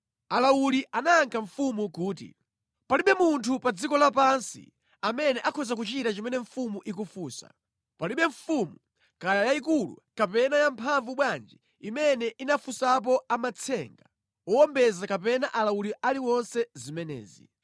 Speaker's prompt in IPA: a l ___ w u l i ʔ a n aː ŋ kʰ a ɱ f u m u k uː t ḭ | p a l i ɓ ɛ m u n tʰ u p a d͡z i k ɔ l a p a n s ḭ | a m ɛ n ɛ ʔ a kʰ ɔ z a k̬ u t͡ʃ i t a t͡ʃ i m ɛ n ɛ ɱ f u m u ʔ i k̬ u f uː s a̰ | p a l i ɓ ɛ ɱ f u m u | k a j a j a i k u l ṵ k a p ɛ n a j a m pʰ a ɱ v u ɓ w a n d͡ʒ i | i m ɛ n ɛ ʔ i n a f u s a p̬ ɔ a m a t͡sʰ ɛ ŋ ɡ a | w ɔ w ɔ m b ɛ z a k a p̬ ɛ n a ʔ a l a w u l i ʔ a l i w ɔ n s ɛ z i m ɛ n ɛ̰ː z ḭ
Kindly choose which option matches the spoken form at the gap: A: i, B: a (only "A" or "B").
B